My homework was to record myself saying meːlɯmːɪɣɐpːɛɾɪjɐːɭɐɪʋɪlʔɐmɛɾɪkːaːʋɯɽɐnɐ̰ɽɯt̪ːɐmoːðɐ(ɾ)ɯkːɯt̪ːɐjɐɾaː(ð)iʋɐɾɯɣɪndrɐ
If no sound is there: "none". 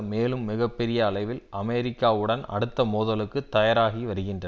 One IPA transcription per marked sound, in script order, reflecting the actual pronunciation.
l, ɣ

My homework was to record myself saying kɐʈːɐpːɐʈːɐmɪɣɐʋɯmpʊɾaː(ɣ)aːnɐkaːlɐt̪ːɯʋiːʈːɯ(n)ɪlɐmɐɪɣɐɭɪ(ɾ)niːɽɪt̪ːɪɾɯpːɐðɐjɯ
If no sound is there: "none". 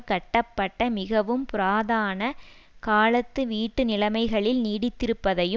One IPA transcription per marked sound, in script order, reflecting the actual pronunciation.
ð, n, l

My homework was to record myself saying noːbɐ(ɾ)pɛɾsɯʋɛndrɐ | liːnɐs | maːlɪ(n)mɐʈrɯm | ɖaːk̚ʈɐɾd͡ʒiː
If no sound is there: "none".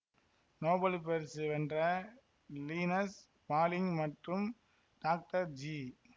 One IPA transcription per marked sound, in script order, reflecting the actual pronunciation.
l, ŋ

